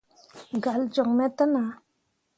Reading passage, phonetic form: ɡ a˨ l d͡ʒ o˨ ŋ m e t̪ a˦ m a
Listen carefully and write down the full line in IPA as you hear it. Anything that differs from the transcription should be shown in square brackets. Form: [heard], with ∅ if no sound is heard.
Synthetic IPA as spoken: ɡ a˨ l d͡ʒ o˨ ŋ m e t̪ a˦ [n] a